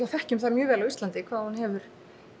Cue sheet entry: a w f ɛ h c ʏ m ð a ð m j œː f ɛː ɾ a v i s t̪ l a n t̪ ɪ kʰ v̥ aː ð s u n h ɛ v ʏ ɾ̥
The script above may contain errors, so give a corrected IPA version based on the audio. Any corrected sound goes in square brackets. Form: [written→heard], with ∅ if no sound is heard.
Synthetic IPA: a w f ɛ h c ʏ m [ð→θ] a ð m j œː [f→v] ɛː [ɾ→l] a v i s t̪ l a n t̪ ɪ kʰ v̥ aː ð [s→h] u n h ɛ v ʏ ɾ̥

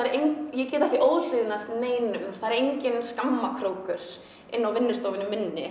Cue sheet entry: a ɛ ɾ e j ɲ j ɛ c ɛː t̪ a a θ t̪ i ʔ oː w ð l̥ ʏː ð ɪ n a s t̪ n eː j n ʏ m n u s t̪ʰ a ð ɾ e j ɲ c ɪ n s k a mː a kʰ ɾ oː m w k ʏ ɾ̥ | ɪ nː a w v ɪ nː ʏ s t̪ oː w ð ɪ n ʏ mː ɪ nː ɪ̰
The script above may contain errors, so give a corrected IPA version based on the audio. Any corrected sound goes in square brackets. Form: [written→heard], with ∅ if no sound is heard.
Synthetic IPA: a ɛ ɾ e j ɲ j ɛ c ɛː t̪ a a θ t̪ i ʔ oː w ð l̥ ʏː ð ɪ n a s t̪ n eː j n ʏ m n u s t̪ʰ a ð ɾ e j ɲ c ɪ n s k a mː a kʰ ɾ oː [m→∅] w k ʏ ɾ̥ | ɪ nː a w v ɪ nː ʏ s t̪ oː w [ð→v] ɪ n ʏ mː ɪ nː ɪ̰

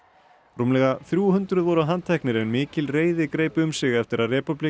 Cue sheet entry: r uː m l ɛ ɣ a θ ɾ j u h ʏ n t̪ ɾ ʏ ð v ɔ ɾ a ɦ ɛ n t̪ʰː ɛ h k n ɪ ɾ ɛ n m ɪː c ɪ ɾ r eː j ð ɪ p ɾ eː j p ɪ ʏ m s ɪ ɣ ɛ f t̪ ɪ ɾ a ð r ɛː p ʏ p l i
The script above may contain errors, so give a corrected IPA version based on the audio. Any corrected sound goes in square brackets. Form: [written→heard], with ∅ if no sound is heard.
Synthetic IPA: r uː m l ɛ ɣ a θ ɾ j u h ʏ n t̪ ɾ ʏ ð v ɔ ɾ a ɦ [ɛ→a] n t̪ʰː ɛ h k n ɪ ɾ ɛ n m ɪː c ɪ [ɾ→l] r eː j ð ɪ [p→k] ɾ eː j p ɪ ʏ m s ɪ ɣ ɛ f t̪ ɪ ɾ a ð r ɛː p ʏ p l i

